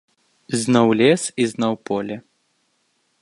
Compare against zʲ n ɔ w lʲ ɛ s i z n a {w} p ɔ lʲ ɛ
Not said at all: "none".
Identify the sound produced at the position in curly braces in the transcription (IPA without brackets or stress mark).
w